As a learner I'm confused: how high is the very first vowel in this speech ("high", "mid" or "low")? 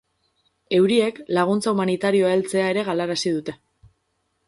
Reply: mid